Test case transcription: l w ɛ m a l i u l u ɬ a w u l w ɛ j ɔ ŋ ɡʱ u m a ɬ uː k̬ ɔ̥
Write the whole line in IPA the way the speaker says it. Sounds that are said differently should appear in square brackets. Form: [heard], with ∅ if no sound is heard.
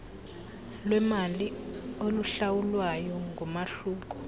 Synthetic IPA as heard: l w ɛ m a l i [o] l u ɬ a w u l w [a] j ɔ ŋ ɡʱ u m a ɬ uː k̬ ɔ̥